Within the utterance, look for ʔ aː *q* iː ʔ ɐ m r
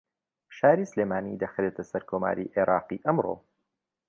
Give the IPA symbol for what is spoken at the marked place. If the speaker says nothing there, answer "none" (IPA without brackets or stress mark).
q